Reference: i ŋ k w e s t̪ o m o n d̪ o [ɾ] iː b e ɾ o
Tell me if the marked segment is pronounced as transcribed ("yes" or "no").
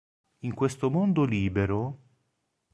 no